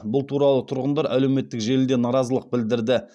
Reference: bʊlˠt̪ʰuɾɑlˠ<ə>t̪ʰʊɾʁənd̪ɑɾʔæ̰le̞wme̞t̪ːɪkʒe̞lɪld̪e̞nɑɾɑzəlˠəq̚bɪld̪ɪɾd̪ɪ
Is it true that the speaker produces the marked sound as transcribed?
yes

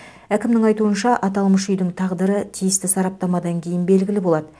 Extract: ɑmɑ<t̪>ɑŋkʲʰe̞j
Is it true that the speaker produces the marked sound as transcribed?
no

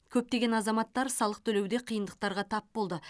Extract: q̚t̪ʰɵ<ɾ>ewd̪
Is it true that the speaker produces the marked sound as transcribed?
no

